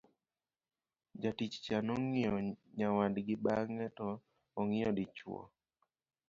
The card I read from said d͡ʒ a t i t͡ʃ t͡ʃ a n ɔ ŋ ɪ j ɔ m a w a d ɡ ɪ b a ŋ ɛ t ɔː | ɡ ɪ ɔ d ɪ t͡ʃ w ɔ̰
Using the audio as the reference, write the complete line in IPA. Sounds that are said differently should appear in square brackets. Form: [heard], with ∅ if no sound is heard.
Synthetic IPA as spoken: d͡ʒ a t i t͡ʃ t͡ʃ a n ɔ ŋ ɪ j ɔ [ɲ] a w a d ɡ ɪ b a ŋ ɛ t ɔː | [ŋ] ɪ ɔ d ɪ t͡ʃ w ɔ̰